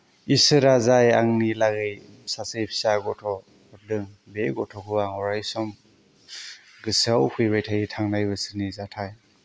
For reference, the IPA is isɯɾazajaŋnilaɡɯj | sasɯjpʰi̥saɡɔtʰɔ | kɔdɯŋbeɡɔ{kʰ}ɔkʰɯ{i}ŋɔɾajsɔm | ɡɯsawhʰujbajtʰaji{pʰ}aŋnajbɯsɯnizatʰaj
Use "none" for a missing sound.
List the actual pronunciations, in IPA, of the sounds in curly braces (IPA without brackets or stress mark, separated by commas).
tʰ, a, tʰ